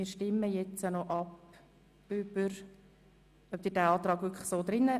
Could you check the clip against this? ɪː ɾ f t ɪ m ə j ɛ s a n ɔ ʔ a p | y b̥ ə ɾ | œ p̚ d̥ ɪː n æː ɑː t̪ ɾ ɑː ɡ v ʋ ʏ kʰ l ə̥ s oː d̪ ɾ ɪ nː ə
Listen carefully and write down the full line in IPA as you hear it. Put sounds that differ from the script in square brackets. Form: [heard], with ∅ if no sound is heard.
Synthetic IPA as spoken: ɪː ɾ [ʃ] t ɪ m ə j ɛ [t͡s] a n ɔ ʔ [ɑ] p | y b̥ ə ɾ | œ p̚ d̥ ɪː [d] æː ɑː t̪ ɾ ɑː ɡ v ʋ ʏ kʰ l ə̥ s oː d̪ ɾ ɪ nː ə